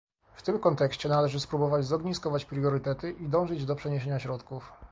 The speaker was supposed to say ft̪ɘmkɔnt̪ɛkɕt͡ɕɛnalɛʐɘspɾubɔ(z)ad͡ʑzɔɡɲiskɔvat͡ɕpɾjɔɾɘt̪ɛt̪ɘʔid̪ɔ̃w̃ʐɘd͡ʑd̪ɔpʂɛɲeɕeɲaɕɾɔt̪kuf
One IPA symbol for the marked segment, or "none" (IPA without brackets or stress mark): v